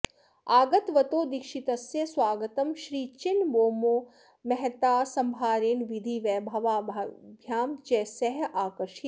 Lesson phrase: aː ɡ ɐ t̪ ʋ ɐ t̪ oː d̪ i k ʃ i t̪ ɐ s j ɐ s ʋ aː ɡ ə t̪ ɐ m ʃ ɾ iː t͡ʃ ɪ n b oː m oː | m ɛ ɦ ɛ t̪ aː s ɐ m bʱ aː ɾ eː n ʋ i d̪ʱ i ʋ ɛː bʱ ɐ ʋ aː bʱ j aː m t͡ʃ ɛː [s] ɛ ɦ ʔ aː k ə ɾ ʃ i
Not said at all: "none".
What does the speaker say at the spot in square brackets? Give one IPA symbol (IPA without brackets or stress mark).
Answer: s